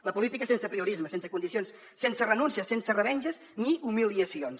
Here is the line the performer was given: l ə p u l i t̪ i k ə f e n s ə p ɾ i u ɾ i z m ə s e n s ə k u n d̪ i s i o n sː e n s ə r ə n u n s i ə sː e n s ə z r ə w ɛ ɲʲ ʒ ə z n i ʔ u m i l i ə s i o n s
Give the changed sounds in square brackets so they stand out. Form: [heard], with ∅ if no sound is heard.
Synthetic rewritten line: l ə p u l i t̪ i k ə [s] e n s ə p ɾ i u ɾ i z m ə s e n s ə k u n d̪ i s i o n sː e n s ə r ə n u n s i ə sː e n s ə [∅] r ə [β] ɛ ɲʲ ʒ ə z n i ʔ u m i l i ə s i o n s